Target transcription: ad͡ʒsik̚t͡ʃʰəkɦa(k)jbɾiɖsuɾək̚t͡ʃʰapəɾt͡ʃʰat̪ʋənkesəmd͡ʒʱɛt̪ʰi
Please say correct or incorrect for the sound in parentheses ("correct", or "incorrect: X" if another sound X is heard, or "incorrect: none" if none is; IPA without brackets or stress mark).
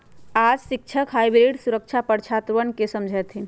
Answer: incorrect: none